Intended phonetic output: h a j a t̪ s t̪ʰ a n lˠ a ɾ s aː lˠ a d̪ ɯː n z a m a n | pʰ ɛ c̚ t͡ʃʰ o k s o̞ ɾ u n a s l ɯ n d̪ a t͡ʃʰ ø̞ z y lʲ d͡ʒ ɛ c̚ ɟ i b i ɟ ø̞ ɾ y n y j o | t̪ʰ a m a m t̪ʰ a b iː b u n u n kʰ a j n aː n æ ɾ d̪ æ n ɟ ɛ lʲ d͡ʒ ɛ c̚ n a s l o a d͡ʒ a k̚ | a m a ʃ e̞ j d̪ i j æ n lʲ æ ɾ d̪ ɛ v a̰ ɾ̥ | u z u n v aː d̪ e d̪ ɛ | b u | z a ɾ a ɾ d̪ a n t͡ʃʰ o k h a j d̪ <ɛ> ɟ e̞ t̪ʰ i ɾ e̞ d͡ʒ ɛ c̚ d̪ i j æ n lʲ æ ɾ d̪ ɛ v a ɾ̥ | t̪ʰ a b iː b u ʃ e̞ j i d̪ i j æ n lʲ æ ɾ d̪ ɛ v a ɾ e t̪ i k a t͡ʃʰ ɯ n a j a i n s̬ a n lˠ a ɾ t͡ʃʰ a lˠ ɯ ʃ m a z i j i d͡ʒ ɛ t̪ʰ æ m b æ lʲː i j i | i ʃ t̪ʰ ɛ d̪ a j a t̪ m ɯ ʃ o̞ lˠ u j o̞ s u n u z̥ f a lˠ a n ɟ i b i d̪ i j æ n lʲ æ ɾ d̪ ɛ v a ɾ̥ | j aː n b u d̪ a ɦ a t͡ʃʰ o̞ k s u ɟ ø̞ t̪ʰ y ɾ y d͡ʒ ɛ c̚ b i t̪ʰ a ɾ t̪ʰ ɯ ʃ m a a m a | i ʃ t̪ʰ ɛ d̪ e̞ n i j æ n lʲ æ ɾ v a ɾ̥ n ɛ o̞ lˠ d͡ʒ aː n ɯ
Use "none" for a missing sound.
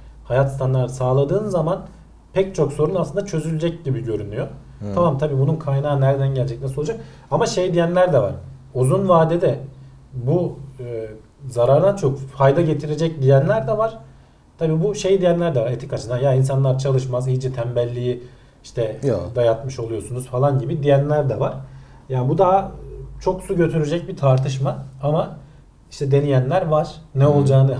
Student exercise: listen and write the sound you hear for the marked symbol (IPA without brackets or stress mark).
a